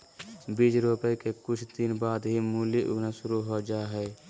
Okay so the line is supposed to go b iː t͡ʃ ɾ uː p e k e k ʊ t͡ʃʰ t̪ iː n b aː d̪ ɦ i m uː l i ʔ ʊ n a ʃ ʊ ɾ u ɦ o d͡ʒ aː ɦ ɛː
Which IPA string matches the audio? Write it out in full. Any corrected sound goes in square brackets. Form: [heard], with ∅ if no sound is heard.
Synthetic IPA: b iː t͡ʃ ɾ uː p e k e k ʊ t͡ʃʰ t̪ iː n b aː d̪ ɦ i m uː l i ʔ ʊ n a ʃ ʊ ɾ u ɦ o d͡ʒ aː ɦ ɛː